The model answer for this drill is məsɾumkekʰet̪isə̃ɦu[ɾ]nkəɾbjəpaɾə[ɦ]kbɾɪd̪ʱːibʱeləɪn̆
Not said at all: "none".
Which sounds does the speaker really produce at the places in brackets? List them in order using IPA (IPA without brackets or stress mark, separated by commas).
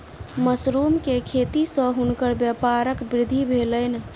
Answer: none, none